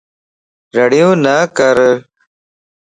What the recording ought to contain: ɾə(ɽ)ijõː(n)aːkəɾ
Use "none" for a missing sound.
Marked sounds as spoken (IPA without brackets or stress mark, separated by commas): ɽ, n